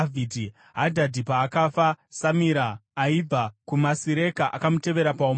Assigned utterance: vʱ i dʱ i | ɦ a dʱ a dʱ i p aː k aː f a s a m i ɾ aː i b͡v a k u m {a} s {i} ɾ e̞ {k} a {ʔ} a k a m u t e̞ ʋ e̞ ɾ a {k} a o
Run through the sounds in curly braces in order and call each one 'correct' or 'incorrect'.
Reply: correct, correct, correct, correct, incorrect: p

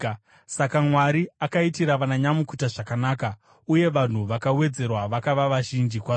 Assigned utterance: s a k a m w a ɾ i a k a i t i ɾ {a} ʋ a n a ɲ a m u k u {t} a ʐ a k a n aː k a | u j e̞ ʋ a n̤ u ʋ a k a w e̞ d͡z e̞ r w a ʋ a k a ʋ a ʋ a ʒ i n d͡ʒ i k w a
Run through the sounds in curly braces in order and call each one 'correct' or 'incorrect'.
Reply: correct, correct

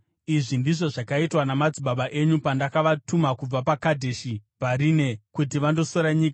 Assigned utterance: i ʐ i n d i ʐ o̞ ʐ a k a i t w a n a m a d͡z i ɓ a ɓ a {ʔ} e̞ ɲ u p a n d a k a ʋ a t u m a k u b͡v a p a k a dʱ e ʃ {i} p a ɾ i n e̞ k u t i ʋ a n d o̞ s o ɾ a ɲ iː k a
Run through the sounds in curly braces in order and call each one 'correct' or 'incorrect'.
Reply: correct, correct

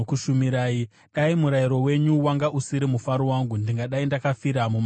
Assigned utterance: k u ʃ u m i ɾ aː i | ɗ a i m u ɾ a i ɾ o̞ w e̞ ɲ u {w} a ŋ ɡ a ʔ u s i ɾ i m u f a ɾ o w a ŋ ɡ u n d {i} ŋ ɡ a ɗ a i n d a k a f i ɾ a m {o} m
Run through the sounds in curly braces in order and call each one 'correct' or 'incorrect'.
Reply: correct, correct, incorrect: u

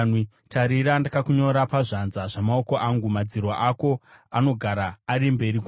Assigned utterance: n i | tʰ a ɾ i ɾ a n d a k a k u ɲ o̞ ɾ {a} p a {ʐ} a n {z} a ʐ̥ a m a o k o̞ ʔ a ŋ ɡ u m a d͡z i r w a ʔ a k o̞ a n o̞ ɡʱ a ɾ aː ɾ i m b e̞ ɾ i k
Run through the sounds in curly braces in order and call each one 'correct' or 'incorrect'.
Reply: correct, correct, correct

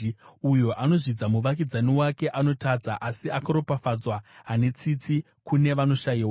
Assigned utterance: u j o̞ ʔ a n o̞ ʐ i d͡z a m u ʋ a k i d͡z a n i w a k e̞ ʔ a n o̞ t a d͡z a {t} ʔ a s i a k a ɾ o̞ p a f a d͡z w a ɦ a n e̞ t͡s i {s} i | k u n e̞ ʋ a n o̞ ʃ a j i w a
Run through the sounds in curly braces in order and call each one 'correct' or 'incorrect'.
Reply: incorrect: none, incorrect: t͡s

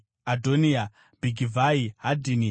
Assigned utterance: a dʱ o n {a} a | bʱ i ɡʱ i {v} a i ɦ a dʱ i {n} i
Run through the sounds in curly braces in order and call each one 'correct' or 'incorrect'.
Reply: incorrect: i, correct, correct

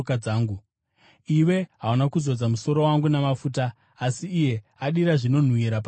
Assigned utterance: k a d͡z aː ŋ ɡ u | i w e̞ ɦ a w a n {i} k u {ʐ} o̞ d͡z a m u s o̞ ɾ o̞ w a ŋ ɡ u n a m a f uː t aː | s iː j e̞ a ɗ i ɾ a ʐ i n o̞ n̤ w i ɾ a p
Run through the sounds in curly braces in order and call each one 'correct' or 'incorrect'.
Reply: incorrect: a, incorrect: z

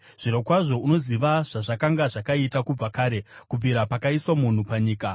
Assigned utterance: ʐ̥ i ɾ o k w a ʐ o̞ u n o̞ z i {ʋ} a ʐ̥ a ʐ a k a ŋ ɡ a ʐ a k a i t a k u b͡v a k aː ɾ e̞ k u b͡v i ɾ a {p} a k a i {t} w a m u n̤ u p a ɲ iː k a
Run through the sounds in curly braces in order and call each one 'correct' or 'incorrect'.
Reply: correct, correct, incorrect: s

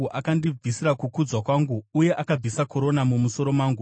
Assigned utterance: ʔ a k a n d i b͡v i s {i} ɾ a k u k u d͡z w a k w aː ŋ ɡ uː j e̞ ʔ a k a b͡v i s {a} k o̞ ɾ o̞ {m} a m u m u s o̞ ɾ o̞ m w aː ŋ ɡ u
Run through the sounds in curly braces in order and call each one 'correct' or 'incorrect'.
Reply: correct, correct, incorrect: n

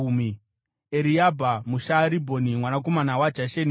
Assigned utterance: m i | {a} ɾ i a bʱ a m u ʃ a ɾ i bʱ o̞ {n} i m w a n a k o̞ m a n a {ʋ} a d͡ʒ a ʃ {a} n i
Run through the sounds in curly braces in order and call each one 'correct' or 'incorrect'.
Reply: incorrect: e, correct, incorrect: w, incorrect: e

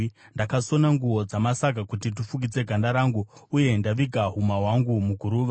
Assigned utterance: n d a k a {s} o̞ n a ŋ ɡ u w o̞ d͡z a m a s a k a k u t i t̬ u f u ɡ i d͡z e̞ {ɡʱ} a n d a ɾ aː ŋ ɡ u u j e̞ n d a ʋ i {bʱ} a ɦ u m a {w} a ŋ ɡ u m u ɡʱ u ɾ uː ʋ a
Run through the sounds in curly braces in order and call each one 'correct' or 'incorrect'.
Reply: correct, correct, incorrect: ɡʱ, correct

